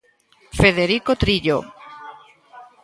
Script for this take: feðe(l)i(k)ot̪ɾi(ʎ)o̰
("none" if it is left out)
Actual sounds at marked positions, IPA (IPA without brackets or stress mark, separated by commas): ɾ, k, ʎ